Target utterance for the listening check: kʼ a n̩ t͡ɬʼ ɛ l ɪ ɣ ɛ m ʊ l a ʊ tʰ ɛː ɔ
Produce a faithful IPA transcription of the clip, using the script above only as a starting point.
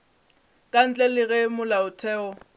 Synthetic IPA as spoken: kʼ a n̩ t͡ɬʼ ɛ l ɪ ɣ ɛ m ʊ l a ʊ tʰ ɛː ɔ